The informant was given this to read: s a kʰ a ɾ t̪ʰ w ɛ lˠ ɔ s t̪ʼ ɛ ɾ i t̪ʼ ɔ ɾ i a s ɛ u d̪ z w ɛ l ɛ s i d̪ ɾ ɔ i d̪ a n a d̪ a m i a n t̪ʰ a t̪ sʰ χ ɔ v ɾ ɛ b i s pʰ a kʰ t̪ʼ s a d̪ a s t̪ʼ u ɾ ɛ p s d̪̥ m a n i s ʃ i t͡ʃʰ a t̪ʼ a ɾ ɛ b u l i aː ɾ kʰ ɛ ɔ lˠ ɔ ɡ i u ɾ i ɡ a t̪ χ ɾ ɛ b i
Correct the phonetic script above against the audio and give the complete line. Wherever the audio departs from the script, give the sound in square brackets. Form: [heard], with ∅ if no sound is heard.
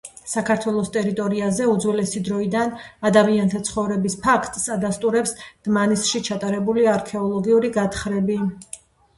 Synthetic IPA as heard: s a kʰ a ɾ t̪ʰ w ɛ lˠ ɔ s t̪ʼ ɛ ɾ i t̪ʼ ɔ ɾ i a [z] ɛ u d̪ z w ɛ l ɛ s i d̪ ɾ ɔ i d̪ a n a d̪ a m i a n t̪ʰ a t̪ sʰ χ ɔ v ɾ ɛ b i s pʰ a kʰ t̪ʼ s a d̪ a s t̪ʼ u ɾ ɛ p s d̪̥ m a n i s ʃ i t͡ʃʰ a t̪ʼ a ɾ ɛ b u l i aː ɾ kʰ ɛ ɔ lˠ ɔ ɡ i u ɾ i ɡ a t̪ χ ɾ ɛ b i